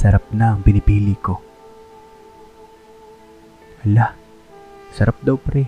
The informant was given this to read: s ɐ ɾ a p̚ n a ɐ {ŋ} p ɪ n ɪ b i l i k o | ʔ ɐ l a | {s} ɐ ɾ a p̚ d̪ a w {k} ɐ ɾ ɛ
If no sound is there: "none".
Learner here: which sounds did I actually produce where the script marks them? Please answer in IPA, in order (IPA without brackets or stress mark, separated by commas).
ŋ, s, p